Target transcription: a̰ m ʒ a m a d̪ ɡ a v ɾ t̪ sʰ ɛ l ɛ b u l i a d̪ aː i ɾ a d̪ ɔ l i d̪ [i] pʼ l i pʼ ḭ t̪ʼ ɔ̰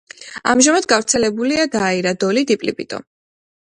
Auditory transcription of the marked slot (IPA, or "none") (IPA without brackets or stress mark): i